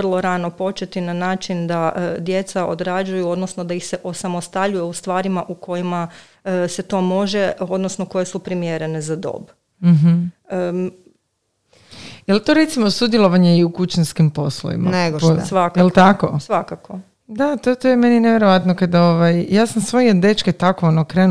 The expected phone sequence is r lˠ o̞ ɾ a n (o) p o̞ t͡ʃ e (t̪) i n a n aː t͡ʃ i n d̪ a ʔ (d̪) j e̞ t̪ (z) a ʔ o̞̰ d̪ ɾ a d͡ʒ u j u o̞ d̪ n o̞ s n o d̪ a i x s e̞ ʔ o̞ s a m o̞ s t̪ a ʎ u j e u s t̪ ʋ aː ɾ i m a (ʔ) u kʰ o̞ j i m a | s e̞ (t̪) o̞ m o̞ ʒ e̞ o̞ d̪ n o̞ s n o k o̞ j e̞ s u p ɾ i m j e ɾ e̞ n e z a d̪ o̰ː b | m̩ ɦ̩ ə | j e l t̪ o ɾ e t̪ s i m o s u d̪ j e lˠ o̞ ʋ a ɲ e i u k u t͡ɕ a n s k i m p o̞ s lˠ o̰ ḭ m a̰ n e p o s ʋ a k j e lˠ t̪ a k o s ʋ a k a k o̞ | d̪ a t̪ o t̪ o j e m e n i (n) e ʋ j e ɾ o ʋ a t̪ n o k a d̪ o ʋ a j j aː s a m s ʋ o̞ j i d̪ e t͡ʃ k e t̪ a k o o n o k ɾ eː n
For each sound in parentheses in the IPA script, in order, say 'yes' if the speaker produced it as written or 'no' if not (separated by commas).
yes, yes, yes, no, yes, yes, yes